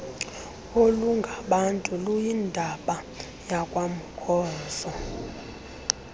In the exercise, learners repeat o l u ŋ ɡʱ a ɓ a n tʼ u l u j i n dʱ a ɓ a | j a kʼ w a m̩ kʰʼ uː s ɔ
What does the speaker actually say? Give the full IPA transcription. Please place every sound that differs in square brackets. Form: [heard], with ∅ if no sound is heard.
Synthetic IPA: o l u ŋ ɡʱ a ɓ a n tʼ u l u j i n dʱ a ɓ a | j a kʼ w a m̩ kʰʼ [ɔː] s ɔ